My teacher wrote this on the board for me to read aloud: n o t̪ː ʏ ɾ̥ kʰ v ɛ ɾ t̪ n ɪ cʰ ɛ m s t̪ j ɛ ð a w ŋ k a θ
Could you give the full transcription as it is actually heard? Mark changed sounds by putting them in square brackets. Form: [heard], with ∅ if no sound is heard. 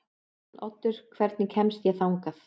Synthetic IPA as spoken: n [ɔ] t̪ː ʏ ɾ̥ kʰ v ɛ ɾ t̪ n ɪ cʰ ɛ m s t̪ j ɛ [θ] a w ŋ k a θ